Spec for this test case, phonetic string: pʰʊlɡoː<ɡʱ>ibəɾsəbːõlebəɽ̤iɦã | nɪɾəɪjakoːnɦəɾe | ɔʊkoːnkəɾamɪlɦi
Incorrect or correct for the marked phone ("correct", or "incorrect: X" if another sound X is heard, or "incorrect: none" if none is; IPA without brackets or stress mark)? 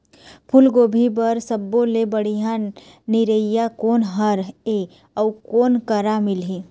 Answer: incorrect: bʱ